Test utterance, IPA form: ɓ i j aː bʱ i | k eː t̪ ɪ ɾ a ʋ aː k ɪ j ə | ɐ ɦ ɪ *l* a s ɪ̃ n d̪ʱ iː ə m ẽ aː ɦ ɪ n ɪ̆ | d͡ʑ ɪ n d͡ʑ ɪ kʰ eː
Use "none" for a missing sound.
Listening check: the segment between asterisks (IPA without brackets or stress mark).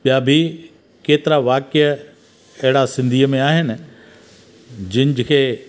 ɽ